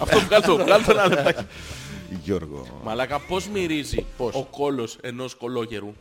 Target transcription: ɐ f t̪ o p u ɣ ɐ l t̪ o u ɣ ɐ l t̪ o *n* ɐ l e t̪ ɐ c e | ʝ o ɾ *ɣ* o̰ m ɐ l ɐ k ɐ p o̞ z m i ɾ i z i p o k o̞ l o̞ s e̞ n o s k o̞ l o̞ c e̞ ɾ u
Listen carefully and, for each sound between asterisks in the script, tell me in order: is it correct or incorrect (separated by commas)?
correct, correct